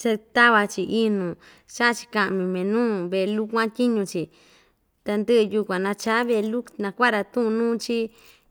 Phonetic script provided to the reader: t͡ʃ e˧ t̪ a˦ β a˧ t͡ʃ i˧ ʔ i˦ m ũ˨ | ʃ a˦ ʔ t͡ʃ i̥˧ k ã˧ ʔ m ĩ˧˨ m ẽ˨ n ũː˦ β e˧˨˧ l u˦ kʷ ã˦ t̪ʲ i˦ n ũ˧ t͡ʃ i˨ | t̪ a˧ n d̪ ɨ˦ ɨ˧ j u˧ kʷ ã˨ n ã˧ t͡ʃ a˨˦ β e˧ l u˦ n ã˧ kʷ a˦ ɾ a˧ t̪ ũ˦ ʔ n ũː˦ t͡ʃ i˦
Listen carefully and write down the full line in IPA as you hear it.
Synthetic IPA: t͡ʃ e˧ t̪ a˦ β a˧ t͡ʃ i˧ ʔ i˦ n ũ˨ | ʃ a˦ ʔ t͡ʃ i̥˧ k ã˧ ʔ m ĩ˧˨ m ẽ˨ n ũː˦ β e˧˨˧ l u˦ kʷ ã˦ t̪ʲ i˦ ɲ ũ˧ t͡ʃ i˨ | t̪ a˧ n d̪ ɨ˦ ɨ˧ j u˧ kʷ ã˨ n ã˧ t͡ʃ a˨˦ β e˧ l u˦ n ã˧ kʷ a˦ ɾ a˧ t̪ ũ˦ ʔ n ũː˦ t͡ʃ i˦